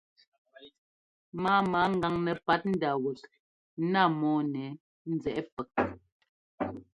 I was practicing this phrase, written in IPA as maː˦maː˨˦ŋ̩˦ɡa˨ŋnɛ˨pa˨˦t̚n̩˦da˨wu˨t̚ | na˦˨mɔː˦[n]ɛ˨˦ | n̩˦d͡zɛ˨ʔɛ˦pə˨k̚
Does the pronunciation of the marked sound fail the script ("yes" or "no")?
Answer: no